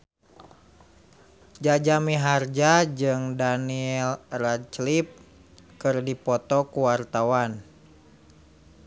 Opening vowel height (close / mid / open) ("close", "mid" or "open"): open